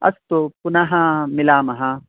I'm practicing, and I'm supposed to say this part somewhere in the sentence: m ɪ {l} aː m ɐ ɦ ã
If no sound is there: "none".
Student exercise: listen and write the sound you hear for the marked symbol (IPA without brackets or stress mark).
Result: l